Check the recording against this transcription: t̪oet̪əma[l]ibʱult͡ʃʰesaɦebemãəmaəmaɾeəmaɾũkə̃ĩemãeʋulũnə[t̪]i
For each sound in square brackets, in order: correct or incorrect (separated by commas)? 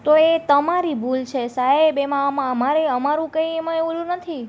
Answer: incorrect, incorrect